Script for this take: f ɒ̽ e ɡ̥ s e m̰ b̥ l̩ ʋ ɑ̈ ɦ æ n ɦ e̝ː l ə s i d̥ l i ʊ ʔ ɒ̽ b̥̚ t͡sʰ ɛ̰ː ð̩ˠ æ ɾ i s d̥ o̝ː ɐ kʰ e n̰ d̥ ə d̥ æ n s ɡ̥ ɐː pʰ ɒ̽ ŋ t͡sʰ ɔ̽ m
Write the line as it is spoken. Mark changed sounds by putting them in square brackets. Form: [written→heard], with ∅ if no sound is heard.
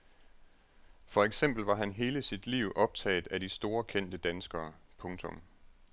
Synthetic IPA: f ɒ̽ e ɡ̥ s e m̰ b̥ l̩ ʋ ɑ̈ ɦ æ n ɦ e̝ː l ə s i d̥ l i ʊ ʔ ɒ̽ b̥̚ t͡sʰ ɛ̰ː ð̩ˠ æ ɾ i s d̥ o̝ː ɐ kʰ e n̰ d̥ ə d̥ æ n s ɡ̥ ɐː pʰ [ɒ̽→ɔ̽] ŋ t͡sʰ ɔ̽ m